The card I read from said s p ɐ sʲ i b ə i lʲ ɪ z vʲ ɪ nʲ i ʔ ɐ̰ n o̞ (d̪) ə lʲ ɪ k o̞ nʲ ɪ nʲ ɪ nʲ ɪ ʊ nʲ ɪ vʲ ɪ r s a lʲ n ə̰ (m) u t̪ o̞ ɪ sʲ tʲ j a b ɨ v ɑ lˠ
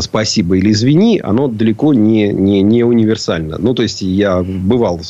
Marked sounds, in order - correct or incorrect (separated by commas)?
correct, incorrect